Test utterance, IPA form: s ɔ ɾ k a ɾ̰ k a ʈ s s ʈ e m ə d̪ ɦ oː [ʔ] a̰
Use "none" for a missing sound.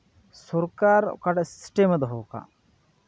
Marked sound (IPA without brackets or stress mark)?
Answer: k